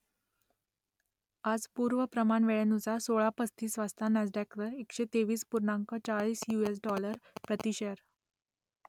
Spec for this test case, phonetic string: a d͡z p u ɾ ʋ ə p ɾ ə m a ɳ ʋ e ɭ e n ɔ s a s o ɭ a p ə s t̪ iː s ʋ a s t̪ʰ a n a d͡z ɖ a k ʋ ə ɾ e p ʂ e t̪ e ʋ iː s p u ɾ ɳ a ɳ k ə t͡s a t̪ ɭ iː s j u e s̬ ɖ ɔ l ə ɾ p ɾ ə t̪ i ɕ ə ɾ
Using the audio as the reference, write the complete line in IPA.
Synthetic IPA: a d͡z p u ɾ ʋ ə p ɾ ə m a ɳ ʋ e ɭ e n u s a s o ɭ a p ə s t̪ iː s ʋ a s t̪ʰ a n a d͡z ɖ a k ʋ ə ɾ e k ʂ e t̪ e ʋ iː s p u ɾ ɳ a ŋ k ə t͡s a ɭ iː s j u e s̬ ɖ ɔ l ə ɾ p ɾ ə t̪ i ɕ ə ɾ